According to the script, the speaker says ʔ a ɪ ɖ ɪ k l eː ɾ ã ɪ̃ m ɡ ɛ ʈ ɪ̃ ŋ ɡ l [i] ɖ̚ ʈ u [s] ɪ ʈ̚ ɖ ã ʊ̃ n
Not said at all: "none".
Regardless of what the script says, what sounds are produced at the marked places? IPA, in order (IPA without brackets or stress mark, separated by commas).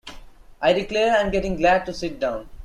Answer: æ, s